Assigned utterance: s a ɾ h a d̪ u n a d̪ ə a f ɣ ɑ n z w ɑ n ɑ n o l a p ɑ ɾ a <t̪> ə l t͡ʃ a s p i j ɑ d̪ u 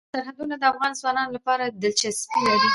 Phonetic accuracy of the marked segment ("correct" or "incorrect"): incorrect